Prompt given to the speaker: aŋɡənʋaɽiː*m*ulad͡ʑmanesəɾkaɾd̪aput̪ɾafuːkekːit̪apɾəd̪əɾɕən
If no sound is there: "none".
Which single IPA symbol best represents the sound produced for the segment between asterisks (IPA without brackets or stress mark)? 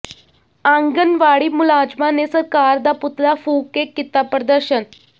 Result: m